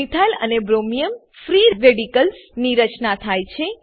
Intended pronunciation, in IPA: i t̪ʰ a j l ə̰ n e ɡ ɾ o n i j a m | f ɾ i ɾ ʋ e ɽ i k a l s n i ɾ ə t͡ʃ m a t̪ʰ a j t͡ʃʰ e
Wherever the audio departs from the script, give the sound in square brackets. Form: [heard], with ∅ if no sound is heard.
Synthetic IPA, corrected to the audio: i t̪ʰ a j l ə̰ n e [b] ɾ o [m] i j [ə] m | f ɾ i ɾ ʋ e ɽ i k [ə] l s n i ɾ ə t͡ʃ [n] a t̪ʰ a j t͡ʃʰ e